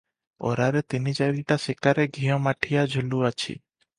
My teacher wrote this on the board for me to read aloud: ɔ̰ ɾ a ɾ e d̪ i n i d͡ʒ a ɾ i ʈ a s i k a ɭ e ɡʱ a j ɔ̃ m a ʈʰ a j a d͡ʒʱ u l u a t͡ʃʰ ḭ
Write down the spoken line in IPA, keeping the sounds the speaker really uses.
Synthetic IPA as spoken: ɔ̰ ɾ a ɾ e t̪ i n i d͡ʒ a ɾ i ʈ a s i k a ɾ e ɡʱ i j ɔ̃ m a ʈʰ i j a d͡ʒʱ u l u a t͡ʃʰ ḭ